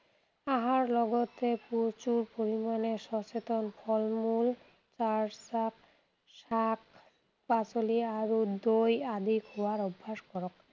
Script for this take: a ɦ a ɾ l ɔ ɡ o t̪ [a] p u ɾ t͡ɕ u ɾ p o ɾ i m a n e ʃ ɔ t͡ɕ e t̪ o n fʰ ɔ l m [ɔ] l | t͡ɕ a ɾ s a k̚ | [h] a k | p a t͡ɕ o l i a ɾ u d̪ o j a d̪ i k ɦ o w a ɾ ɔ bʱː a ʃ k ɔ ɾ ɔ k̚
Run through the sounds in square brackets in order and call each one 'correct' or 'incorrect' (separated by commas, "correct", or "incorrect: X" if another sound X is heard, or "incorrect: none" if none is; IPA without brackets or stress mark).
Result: incorrect: e, incorrect: u, incorrect: ʃ